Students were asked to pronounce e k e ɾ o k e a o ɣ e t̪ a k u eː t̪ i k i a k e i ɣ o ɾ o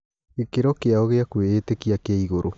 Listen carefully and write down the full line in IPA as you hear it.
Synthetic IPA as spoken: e k e ɾ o k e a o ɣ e a k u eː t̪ e k i a k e i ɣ o ɾ o

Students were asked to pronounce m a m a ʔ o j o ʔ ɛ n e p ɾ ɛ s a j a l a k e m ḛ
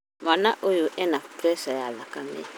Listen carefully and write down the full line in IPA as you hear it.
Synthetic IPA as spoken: m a n a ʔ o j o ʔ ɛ n a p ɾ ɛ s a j a l a k a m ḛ

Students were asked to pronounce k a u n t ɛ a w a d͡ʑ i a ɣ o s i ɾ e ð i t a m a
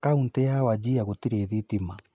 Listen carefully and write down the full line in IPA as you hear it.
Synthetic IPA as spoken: k a u n t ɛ a w a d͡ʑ i a ɣ o t i ɾ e ð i t i m a

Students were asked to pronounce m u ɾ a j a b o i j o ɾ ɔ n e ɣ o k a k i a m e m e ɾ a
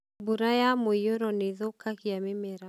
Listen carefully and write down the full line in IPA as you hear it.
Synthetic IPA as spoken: b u ɾ a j a m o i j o ɾ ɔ n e ð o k a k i a m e m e ɾ a

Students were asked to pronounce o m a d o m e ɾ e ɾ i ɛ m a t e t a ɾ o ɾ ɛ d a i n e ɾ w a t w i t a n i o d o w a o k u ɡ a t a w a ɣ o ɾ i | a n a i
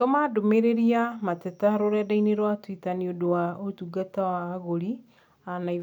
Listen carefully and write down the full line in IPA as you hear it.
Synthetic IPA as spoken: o m a d o m e ɾ e ɾ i a m a t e t a ɾ o ɾ ɛ d a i n e ɾ w a t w i t a n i o d o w a o t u ɡ a t a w a ɣ o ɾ i | a n a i

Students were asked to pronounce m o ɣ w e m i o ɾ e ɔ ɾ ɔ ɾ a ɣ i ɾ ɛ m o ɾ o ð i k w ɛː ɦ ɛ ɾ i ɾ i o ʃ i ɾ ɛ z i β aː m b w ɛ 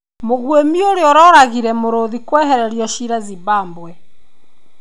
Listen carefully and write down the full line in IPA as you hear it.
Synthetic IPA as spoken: m o ɣ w e m i o ɾ e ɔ ɾ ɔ ɾ a ɣ i ɾ ɛ m o ɾ o ð i k w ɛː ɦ ɛ ɾ ɛ ɾ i ɔ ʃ i ɾ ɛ z i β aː m b w ɛ

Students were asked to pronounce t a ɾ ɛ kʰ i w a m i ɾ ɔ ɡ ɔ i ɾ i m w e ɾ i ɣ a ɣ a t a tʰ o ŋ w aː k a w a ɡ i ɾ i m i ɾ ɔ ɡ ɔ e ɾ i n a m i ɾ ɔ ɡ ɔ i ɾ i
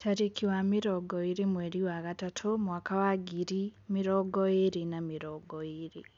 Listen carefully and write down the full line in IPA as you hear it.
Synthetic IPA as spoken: t a ɾ i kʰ i w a m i ɾ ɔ ɡ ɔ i ɾ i m w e ɾ i w a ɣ a t a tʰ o m w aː k a w a ɡ i ɾ i m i ɾ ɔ ɡ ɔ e ɾ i n a m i ɾ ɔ ɡ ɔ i ɾ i

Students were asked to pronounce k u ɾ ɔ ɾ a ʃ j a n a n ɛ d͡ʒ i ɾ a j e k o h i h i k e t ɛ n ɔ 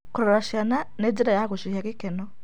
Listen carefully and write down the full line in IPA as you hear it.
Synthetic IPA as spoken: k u ɾ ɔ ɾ a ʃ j a n a n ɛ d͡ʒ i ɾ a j a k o ʃ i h a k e k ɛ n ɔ

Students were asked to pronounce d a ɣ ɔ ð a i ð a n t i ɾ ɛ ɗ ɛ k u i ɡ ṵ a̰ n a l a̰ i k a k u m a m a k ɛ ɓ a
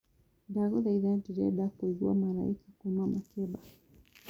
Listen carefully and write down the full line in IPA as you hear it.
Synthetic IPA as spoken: d a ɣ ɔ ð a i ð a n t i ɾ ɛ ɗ a k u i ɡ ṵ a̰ m a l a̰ i k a k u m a m a k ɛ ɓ a

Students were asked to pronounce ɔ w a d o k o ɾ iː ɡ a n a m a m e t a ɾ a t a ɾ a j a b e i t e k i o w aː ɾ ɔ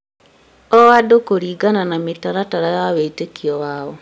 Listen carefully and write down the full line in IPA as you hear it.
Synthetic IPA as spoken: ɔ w a d o k o ɾ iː ɡ a n a n a m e t a ɾ a t a ɾ a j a w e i t e k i ɔ w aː ɔ

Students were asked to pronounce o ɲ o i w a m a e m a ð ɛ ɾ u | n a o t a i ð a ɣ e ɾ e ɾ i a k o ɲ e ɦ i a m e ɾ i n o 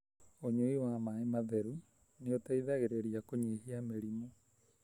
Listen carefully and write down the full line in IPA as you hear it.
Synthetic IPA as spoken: o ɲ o i w a m a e m a ð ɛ ɾ u | n e o t a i ð a ɣ e ɾ e ɾ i a k o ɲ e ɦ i a m e ɾ i m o

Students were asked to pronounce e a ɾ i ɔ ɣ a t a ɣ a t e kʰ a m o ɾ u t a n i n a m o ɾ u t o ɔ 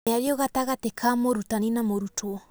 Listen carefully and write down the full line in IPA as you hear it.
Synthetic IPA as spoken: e a ɾ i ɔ ɣ a t a ɣ a t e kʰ a m o ɾ u t a n i n a m o ɾ u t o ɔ

